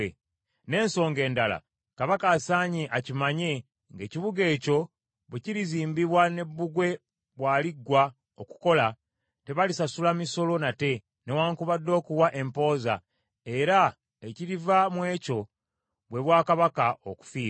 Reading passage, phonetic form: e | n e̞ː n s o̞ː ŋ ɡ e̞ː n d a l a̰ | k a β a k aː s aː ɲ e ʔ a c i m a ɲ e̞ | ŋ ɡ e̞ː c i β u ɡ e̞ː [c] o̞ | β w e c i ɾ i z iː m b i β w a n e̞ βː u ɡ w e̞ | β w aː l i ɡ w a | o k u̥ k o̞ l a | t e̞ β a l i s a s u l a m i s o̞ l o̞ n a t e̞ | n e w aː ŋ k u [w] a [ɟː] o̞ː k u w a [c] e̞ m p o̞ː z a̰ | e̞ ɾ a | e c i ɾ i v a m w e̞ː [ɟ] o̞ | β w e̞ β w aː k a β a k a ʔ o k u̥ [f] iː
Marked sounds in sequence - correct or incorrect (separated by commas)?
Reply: correct, incorrect, incorrect, incorrect, incorrect, correct